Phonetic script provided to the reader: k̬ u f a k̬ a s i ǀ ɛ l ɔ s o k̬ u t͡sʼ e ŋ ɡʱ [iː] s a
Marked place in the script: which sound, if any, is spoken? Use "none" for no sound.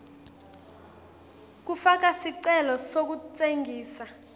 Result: iː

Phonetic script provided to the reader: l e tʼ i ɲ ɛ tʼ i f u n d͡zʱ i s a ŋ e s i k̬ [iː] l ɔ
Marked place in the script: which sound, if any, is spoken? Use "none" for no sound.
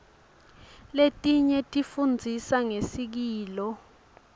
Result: iː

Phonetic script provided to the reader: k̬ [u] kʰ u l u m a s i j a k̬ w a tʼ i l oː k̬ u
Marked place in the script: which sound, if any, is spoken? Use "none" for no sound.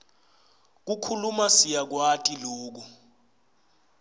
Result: u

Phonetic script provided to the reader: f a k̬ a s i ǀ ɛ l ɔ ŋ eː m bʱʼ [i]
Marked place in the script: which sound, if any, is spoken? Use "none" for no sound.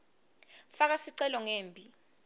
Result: i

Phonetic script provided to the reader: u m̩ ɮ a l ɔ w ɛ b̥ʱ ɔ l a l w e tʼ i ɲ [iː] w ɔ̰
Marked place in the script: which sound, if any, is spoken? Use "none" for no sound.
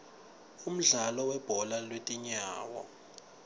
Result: aː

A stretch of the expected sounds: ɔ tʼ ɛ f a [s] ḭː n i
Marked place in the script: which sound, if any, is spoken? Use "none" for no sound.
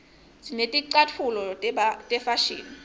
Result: ʃ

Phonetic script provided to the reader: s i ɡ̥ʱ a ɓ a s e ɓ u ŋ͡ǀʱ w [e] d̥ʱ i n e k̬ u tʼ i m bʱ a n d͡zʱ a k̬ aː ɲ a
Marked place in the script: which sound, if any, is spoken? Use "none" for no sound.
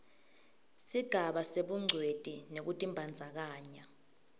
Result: e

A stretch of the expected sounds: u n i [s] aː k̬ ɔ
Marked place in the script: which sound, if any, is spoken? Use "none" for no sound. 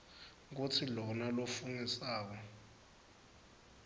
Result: s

